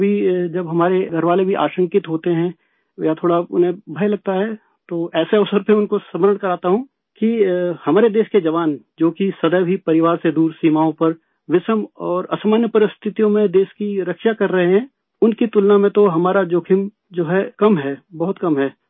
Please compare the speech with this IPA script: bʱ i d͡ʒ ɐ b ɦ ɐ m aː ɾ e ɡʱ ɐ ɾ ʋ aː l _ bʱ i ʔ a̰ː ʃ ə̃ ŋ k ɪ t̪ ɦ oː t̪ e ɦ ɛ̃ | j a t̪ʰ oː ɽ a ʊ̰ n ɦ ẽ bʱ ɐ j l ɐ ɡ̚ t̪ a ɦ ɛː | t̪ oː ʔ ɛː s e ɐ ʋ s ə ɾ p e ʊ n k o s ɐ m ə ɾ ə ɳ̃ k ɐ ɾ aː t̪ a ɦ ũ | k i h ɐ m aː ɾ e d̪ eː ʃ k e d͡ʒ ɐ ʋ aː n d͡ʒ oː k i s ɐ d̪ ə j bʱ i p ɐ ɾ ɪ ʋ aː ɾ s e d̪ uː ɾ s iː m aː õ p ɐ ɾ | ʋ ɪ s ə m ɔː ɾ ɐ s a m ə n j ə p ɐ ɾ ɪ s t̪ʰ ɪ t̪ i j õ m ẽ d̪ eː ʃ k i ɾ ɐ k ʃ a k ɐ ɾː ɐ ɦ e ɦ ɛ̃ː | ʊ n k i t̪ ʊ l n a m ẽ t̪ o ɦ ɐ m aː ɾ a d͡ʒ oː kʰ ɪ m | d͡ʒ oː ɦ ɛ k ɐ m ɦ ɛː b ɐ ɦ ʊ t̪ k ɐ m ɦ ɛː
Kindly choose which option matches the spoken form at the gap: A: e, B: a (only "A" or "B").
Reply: A